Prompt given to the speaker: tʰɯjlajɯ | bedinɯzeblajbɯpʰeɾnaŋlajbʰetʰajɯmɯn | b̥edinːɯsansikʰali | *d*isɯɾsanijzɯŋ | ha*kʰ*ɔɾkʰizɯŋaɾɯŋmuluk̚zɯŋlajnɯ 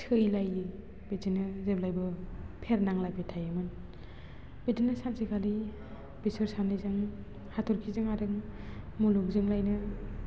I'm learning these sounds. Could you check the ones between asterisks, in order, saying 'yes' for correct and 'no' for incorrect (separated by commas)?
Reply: no, no